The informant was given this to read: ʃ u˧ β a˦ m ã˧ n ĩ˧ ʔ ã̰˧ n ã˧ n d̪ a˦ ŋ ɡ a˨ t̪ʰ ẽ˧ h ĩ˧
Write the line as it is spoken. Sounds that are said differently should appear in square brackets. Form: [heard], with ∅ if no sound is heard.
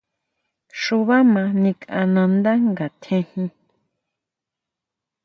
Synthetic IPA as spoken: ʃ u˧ β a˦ m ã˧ n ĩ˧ [k] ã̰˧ n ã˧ n d̪ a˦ ŋ ɡ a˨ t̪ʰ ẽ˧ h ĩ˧